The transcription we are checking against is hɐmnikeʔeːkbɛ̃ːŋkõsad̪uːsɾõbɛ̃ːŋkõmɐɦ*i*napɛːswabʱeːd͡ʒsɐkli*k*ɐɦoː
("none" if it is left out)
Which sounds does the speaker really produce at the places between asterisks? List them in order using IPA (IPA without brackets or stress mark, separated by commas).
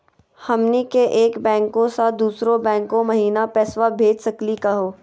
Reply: iː, k